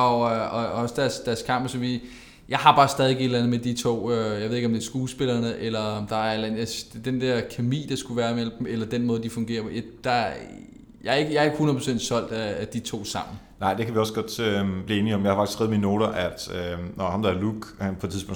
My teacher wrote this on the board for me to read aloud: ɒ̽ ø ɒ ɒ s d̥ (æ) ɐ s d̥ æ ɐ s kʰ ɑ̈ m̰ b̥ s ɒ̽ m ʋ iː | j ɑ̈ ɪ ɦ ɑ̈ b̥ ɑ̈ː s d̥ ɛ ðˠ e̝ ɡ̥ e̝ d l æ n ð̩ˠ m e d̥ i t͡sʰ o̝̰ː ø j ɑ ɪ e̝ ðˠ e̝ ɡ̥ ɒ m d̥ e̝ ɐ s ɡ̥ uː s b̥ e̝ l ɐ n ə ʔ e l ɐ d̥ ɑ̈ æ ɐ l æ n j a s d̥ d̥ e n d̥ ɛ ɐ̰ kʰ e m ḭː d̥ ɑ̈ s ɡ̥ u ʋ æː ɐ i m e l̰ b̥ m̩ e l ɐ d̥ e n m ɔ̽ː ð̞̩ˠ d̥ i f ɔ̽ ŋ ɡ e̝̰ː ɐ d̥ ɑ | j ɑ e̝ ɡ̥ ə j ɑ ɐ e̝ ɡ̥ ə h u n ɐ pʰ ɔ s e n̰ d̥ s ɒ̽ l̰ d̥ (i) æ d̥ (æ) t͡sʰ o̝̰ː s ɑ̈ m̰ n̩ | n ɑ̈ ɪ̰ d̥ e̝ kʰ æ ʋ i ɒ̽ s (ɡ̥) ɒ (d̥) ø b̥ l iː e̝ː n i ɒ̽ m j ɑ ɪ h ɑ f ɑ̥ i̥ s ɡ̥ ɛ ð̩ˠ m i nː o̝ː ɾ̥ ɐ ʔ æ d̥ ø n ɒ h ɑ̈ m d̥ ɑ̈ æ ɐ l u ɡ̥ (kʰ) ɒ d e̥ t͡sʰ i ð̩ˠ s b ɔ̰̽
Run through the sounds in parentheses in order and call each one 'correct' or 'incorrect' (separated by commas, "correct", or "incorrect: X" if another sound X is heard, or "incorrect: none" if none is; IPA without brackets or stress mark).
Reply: correct, incorrect: æ, incorrect: i, correct, correct, incorrect: pʰ